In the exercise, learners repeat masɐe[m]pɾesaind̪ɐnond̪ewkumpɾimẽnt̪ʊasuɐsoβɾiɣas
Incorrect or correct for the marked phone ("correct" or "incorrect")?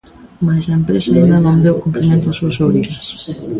correct